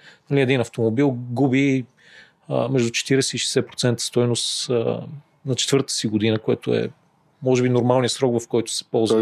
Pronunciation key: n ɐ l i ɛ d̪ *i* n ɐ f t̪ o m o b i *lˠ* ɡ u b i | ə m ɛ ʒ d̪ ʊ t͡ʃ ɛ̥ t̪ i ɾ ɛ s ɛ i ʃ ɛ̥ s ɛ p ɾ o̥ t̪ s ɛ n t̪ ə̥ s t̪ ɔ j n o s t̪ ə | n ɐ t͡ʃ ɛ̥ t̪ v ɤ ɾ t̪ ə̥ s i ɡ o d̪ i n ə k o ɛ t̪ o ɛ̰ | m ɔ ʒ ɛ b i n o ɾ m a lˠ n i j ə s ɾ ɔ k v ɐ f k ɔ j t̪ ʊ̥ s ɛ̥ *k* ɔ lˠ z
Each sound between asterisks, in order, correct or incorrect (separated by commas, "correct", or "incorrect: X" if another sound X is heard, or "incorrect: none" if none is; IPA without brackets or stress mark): correct, correct, incorrect: p